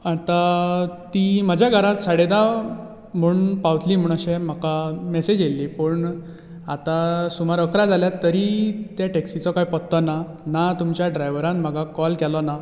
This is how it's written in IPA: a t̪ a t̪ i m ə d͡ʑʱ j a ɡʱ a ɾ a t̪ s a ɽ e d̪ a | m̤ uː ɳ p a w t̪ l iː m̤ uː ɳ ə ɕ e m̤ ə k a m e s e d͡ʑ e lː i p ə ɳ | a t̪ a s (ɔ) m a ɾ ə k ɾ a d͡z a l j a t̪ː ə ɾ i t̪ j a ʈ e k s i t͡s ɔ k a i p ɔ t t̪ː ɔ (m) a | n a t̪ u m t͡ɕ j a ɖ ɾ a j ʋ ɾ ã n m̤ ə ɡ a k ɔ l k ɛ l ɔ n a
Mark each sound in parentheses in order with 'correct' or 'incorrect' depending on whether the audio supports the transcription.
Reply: incorrect, incorrect

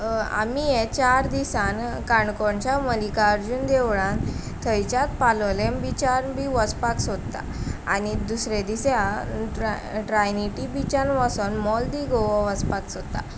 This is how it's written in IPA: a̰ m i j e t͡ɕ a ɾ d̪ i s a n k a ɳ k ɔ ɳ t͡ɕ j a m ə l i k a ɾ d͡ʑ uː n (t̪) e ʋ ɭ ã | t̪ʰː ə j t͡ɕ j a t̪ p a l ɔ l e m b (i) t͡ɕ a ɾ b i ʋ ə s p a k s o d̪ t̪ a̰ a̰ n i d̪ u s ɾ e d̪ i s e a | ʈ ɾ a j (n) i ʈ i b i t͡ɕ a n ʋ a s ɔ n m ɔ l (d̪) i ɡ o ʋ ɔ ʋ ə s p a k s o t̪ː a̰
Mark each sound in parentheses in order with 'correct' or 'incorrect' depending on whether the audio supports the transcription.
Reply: incorrect, correct, correct, correct

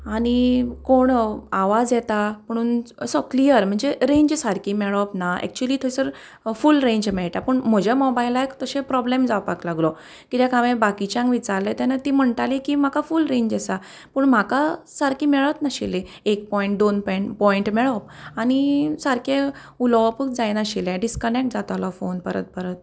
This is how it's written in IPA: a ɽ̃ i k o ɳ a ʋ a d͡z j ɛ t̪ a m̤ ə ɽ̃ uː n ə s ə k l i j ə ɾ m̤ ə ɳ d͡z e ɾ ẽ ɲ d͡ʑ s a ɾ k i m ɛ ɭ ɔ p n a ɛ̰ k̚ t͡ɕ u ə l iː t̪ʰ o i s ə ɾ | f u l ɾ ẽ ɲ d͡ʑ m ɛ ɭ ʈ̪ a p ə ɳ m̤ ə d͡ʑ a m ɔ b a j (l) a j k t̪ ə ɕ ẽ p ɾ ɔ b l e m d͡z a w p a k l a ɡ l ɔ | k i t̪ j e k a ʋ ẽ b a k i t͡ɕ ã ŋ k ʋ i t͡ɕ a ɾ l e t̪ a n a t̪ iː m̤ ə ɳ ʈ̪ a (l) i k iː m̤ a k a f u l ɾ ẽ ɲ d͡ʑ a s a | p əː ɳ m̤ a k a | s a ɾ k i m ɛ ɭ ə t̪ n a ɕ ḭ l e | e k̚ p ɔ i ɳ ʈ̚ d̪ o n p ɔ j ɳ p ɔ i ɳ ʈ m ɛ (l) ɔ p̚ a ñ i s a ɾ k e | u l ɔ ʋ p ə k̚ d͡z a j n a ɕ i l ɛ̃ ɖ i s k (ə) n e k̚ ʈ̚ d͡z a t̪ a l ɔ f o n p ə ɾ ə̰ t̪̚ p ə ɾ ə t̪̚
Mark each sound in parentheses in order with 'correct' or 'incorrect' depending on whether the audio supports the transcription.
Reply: correct, correct, incorrect, correct

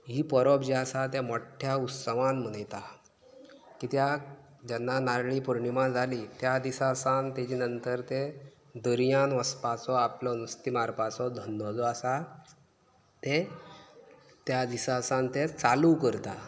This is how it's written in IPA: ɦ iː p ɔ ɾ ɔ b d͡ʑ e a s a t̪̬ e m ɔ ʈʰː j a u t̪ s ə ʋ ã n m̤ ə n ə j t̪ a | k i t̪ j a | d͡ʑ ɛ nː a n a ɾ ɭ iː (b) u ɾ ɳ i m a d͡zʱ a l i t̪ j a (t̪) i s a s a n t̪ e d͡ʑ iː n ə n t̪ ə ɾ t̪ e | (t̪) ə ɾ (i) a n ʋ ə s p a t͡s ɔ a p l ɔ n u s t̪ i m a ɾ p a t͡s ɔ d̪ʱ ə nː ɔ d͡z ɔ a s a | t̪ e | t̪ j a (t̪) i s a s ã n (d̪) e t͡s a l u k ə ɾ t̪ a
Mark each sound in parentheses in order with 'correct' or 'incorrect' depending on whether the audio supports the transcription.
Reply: incorrect, incorrect, incorrect, incorrect, incorrect, incorrect

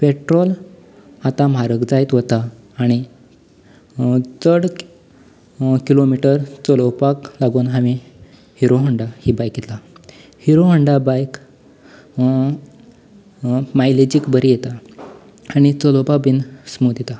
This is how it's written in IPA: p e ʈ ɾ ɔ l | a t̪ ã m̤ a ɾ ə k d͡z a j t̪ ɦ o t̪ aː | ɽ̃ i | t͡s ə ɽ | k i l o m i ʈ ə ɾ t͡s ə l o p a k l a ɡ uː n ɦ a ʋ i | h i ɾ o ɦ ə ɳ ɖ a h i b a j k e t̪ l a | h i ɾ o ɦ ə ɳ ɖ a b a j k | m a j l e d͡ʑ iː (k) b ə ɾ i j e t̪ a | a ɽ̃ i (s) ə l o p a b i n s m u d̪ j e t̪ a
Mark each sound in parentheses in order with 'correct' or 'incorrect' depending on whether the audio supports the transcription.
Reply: correct, incorrect

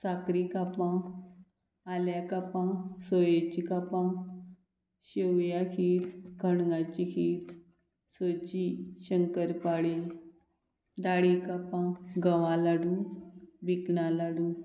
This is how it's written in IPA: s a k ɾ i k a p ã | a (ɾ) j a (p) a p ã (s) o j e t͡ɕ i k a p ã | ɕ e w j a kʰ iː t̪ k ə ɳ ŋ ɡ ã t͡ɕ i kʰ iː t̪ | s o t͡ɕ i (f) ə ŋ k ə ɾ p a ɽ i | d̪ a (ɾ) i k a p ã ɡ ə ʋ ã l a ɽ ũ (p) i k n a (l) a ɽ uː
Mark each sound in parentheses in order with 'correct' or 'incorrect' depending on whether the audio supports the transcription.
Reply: incorrect, incorrect, correct, incorrect, incorrect, incorrect, correct

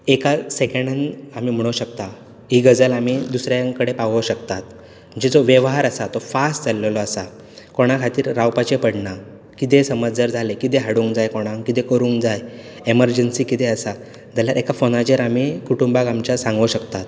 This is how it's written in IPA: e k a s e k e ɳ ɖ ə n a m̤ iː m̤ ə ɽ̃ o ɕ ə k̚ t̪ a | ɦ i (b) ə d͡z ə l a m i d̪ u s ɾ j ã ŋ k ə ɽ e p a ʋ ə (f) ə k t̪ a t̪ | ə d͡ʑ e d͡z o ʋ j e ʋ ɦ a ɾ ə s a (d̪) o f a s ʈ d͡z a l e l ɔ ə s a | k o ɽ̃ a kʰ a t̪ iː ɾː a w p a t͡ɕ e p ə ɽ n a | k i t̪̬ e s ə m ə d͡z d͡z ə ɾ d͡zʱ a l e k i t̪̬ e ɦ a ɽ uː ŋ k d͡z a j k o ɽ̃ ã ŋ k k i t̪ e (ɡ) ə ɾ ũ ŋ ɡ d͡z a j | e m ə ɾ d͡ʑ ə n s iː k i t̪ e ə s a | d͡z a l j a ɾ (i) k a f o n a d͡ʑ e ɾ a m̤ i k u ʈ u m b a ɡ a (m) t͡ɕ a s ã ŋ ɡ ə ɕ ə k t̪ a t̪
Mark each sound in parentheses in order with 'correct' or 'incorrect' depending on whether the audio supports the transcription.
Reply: incorrect, incorrect, incorrect, incorrect, incorrect, correct

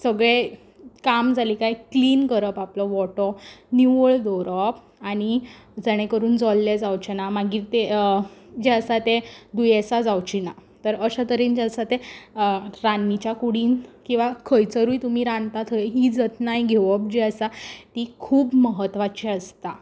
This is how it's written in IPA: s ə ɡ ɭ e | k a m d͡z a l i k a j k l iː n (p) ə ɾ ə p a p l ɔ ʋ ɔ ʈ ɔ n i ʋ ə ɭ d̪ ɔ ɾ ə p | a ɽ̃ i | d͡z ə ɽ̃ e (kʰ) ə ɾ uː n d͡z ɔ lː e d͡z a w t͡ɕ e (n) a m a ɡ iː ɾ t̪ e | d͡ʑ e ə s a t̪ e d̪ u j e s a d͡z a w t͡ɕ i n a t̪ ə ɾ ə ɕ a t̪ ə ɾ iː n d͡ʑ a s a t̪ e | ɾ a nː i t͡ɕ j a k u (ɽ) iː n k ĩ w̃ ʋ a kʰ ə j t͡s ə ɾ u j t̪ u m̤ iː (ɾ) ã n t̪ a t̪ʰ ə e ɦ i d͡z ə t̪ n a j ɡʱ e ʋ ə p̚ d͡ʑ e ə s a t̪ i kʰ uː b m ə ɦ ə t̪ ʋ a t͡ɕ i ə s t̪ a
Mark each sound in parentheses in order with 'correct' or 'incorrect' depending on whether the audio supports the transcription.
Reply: incorrect, incorrect, correct, correct, correct

